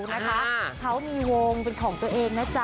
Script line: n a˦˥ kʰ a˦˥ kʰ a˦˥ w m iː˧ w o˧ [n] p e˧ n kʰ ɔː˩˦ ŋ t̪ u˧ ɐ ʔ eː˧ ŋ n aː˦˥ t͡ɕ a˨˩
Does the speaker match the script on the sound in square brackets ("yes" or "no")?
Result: no